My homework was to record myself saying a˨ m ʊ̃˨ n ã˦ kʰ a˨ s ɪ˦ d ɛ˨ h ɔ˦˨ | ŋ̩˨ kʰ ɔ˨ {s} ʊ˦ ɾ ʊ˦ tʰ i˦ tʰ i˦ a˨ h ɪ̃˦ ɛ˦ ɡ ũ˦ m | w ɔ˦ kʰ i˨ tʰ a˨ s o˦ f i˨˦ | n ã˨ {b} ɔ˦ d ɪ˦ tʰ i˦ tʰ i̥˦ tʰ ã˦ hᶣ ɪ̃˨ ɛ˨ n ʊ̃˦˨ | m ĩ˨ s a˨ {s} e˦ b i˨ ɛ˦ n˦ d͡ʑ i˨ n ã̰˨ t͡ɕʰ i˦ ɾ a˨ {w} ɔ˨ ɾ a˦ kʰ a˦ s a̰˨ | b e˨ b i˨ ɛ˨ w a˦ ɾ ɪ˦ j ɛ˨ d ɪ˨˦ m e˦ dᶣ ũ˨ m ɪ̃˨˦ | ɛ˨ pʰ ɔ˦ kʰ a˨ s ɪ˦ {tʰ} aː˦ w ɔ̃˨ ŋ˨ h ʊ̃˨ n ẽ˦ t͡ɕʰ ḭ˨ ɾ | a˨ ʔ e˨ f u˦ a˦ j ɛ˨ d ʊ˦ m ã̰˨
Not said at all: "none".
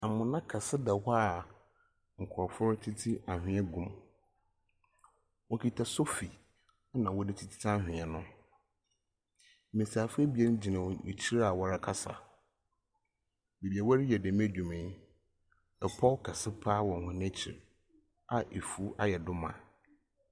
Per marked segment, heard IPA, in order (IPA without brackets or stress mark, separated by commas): f, w, f, w, pʰ